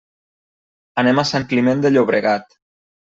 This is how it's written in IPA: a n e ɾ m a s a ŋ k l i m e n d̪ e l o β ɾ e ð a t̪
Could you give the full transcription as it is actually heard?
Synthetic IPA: a n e m a s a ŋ k l i m e n d̪ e ʎ o β ɾ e ɣ a t̪